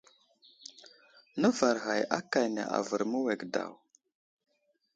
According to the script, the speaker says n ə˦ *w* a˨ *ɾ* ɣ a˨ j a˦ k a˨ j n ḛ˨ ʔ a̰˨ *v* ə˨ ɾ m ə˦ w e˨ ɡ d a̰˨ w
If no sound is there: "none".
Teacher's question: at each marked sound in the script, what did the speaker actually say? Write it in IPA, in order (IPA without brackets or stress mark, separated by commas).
v, ɾ, v